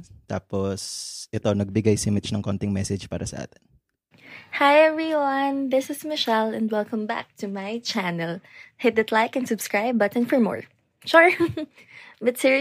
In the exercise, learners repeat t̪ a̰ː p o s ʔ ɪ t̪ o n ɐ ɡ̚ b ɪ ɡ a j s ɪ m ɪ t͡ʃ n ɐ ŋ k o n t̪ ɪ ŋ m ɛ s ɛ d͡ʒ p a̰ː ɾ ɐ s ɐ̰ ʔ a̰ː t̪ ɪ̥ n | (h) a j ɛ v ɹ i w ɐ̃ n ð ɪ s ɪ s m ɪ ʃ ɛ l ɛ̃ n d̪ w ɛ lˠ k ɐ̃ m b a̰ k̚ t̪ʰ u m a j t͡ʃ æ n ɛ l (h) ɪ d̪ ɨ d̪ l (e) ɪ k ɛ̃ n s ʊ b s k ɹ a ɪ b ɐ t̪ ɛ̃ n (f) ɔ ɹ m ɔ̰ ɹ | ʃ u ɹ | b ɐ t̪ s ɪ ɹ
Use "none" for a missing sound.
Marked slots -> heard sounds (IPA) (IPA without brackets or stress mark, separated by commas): h, h, a, f